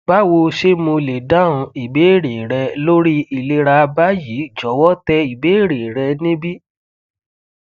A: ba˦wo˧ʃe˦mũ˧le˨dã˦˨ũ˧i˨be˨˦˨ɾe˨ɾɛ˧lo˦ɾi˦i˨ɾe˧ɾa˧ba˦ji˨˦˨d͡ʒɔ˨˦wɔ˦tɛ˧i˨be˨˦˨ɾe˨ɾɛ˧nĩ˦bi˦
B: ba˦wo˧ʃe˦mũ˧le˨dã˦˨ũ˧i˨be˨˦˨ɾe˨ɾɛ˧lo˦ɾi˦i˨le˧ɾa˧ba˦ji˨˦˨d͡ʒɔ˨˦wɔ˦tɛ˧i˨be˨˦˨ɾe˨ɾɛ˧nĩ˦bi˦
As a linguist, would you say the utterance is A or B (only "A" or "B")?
B